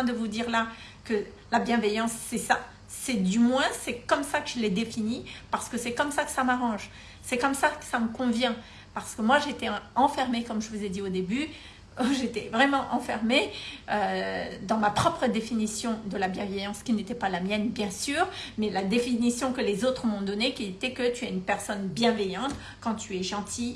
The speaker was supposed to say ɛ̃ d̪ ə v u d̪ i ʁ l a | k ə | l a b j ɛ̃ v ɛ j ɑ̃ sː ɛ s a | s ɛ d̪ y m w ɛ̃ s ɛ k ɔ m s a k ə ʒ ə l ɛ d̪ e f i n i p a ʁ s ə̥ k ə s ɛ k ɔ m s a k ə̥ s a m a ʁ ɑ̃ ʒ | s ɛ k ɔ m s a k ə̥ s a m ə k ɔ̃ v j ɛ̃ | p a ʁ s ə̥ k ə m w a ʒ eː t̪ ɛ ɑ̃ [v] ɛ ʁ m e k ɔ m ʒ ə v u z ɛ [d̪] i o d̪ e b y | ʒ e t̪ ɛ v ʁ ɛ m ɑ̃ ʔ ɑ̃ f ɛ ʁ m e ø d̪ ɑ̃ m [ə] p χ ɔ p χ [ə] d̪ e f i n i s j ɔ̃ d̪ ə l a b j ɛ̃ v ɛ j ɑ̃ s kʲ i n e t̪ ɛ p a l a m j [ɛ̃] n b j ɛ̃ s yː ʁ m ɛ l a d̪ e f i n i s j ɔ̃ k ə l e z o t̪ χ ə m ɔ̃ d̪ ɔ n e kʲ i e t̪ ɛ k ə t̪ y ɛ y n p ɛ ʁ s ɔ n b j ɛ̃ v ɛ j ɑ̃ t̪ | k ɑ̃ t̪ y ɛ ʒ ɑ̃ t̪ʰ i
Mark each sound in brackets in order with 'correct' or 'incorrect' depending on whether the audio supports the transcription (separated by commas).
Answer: incorrect, correct, incorrect, correct, incorrect